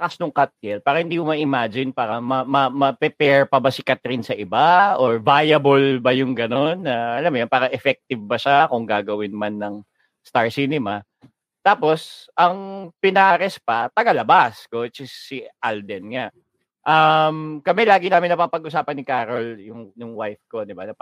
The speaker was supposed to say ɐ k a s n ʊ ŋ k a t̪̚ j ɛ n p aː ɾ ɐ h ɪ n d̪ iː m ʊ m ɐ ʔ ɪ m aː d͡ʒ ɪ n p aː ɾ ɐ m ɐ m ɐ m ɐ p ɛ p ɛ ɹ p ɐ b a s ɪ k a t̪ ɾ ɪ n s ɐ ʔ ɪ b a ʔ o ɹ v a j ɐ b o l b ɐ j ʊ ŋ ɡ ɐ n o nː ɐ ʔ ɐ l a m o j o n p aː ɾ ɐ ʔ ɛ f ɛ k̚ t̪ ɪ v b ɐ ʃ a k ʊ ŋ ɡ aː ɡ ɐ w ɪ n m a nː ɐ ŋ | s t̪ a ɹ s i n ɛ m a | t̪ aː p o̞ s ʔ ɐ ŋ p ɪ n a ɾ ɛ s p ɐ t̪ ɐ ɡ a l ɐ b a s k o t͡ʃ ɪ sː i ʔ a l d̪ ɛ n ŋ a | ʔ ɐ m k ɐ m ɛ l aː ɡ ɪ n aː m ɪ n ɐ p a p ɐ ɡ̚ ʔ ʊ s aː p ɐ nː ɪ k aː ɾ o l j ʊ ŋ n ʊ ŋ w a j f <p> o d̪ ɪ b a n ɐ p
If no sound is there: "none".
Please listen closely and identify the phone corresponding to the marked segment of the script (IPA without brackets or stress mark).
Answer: k